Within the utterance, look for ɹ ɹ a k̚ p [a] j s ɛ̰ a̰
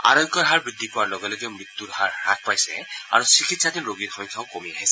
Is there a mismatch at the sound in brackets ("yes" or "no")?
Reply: no